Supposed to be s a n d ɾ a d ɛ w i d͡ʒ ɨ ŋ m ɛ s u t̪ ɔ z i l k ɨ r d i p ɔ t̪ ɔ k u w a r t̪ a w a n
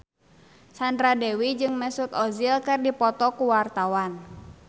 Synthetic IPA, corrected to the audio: s a n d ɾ a d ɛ w i d͡ʒ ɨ ŋ m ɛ s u t̪ ɔ z i l k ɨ r d i p ɔ t̪ ɔ k u w a r t̪ a w a n